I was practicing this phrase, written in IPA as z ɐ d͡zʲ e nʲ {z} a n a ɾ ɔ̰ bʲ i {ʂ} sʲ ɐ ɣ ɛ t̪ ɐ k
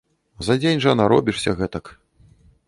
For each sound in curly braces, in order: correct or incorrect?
incorrect: ʐ, correct

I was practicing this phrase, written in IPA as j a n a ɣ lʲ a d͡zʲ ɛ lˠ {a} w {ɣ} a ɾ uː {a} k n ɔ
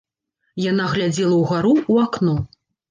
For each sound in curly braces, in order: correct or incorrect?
incorrect: ɐ, correct, correct

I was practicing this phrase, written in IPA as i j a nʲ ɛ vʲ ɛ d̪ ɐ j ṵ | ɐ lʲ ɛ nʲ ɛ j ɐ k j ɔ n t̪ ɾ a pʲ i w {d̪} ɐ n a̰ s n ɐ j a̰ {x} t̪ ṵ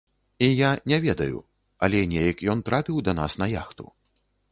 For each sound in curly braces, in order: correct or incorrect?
correct, correct

